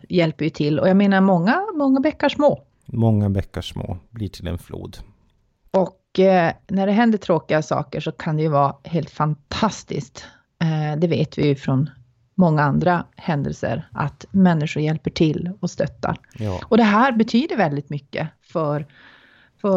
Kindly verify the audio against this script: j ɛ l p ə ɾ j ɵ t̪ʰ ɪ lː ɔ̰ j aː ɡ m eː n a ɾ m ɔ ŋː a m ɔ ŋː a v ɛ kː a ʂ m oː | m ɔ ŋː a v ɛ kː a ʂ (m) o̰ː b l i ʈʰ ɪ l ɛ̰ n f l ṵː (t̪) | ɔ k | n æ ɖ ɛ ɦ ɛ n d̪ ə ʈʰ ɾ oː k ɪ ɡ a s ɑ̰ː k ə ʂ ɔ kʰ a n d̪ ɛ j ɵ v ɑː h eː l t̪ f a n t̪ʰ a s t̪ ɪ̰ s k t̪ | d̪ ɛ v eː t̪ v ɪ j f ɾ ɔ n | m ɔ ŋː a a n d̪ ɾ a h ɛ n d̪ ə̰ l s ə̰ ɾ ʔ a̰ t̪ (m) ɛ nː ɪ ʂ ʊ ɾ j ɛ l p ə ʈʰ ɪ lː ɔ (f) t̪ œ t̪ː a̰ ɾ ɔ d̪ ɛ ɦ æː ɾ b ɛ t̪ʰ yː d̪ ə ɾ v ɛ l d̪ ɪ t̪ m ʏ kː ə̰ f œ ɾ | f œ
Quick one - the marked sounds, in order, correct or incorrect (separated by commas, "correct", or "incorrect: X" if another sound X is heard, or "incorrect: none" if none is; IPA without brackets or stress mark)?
correct, incorrect: d̪, correct, incorrect: s